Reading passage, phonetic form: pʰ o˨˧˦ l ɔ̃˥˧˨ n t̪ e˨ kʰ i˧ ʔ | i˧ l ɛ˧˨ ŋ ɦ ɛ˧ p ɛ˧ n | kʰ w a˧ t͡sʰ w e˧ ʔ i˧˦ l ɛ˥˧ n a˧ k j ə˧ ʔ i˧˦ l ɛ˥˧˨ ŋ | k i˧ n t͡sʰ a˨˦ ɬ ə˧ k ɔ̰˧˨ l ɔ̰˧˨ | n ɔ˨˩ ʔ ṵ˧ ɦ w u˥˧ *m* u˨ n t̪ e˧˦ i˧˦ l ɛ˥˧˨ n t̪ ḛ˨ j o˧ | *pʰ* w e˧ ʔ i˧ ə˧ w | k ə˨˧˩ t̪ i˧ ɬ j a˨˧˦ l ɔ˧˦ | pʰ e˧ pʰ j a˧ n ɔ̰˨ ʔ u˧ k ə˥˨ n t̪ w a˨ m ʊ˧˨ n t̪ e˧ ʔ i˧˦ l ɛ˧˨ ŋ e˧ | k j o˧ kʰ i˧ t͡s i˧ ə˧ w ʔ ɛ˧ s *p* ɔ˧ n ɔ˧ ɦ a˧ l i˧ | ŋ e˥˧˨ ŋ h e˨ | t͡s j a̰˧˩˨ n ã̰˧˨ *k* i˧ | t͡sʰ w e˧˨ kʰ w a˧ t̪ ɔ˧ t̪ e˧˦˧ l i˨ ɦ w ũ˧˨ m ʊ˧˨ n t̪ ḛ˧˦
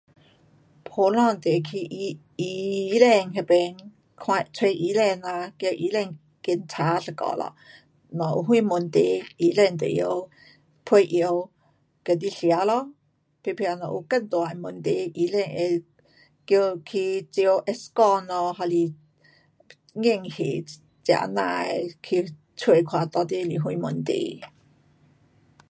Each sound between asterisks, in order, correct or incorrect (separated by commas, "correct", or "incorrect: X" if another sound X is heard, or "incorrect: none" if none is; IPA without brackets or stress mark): correct, correct, incorrect: k, incorrect: kʰ